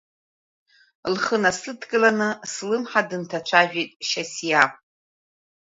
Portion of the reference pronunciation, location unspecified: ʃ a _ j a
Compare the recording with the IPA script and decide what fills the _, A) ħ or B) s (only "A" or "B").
B